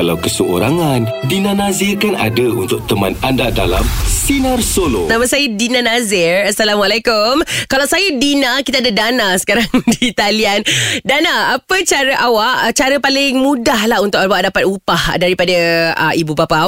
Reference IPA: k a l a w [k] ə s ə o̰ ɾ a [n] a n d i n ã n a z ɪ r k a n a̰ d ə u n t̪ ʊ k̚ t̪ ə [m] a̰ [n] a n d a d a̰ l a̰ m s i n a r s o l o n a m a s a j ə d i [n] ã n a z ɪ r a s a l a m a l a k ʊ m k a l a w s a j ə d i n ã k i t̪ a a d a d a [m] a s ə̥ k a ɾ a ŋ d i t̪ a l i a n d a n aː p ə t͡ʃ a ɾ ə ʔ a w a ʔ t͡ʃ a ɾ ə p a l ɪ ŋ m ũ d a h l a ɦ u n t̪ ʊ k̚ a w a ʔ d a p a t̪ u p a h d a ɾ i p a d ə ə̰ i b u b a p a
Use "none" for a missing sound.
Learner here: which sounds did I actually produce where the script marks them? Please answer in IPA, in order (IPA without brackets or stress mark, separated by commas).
k, ŋ, m, n, n, n